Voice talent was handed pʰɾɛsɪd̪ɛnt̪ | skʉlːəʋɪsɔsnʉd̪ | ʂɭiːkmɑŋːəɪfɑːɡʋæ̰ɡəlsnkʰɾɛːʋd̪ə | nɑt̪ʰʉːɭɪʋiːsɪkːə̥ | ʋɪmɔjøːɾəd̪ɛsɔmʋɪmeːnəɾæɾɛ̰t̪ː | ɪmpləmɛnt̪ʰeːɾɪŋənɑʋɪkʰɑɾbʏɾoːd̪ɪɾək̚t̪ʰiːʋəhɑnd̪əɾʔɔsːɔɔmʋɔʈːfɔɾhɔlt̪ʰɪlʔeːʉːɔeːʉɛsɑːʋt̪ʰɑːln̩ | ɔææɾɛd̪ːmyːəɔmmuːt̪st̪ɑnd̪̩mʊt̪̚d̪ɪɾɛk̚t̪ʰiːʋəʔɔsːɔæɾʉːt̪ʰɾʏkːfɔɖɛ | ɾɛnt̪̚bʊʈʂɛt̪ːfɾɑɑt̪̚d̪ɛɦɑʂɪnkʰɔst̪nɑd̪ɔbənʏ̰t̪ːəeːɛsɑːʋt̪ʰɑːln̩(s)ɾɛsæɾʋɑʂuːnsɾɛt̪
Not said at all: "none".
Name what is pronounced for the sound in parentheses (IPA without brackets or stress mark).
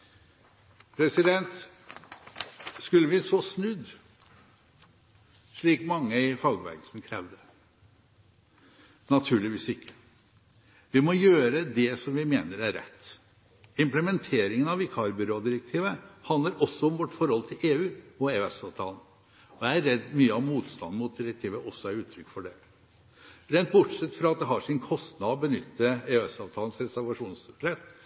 s